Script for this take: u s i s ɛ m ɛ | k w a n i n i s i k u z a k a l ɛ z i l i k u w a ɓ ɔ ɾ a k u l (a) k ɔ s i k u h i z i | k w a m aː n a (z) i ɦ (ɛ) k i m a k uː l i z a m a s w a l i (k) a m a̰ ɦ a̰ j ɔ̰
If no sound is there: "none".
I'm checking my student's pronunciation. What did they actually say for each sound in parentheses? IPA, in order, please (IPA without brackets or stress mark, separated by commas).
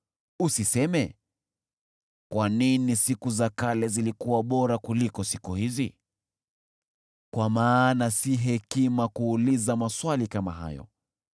i, s, ɛ, k